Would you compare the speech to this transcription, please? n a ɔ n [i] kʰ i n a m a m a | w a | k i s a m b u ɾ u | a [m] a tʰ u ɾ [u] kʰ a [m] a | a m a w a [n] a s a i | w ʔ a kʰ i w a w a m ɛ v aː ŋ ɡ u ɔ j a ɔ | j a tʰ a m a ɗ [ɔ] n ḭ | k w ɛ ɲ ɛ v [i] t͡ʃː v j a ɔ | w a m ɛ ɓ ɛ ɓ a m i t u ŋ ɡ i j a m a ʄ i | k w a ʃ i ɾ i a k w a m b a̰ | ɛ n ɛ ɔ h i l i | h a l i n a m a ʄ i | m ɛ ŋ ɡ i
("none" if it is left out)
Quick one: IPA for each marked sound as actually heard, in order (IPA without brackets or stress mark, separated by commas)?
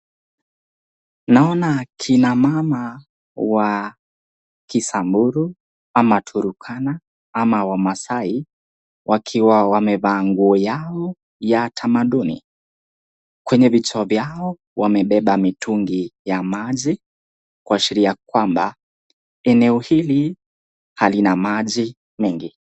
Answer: a, m, u, n, m, u, i